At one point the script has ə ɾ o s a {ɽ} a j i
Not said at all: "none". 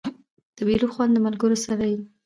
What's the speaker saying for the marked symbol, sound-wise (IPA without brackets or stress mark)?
ɾ